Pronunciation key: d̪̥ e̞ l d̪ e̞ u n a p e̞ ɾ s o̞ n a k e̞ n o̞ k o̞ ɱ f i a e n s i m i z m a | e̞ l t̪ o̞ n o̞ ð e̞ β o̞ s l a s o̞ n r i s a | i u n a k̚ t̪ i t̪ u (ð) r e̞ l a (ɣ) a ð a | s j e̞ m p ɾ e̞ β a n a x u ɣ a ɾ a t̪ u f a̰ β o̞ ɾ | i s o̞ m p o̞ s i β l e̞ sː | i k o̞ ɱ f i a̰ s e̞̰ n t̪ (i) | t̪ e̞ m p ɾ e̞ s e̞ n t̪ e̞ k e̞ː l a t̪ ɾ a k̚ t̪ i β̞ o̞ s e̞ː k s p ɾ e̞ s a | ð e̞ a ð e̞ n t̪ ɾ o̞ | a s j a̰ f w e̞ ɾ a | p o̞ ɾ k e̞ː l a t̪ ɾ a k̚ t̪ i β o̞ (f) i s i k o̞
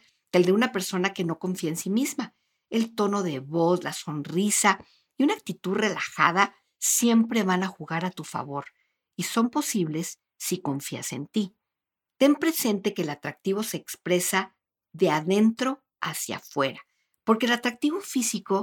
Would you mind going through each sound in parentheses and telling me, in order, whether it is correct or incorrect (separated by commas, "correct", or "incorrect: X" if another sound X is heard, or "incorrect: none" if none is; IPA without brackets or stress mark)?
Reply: correct, incorrect: x, correct, correct